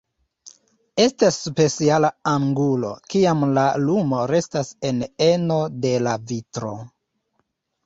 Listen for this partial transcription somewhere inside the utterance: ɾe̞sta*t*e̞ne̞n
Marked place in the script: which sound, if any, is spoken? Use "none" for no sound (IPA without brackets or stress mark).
s